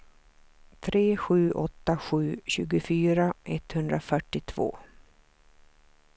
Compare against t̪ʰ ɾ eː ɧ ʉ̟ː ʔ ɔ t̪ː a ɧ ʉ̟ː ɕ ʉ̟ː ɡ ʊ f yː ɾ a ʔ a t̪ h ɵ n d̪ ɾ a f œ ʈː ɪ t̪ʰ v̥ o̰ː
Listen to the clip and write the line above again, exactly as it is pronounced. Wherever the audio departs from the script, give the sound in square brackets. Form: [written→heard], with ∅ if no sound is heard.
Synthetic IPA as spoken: t̪ʰ ɾ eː ɧ ʉ̟ː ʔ ɔ t̪ː a ɧ ʉ̟ː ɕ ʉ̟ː ɡ ʊ f yː ɾ a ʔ [a→ɛ] t̪ h ɵ n d̪ ɾ a f œ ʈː ɪ t̪ʰ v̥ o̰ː